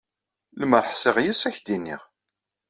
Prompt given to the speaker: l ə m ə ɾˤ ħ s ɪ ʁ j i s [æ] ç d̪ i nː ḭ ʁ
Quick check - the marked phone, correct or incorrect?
correct